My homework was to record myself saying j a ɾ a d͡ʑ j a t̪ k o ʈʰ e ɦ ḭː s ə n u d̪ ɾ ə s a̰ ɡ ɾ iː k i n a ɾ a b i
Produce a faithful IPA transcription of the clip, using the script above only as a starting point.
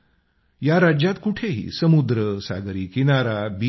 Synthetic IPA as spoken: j a ɾ a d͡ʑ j a t̪ k u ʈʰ e ɦ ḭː s ə m u d̪ ɾ ə s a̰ ɡ ɾ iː k i n a ɾ a b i